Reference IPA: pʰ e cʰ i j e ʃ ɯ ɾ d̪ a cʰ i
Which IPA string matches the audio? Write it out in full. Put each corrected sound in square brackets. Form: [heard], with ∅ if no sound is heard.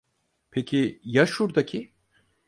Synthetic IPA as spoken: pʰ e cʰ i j [a] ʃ [u] ɾ d̪ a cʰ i